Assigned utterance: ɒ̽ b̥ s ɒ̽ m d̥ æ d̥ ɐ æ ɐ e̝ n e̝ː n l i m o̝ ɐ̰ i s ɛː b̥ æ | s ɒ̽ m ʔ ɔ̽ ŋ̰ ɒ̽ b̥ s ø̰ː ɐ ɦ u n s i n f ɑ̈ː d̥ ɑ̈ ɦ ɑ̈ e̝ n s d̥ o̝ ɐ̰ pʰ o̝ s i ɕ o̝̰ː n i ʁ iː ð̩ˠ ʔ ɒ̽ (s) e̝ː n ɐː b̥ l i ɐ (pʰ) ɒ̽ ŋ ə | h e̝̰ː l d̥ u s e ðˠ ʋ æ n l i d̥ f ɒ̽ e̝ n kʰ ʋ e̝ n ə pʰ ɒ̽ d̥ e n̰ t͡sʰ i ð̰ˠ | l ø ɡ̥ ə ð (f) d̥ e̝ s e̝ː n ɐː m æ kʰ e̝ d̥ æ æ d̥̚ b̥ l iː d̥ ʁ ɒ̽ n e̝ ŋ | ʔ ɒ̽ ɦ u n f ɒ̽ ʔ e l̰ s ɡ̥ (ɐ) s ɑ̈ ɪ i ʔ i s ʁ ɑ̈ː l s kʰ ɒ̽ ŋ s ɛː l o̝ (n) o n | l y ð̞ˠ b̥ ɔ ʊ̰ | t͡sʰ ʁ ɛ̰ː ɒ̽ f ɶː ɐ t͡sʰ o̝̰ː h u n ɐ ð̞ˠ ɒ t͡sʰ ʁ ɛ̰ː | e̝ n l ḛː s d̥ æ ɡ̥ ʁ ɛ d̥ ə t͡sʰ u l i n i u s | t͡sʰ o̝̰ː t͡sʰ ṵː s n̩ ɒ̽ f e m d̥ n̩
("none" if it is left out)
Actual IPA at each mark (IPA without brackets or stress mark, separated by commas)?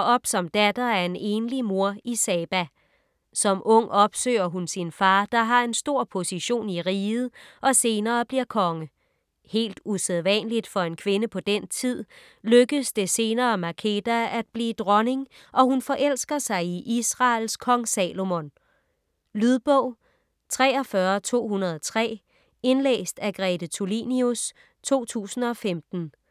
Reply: s, kʰ, s, ɐ, m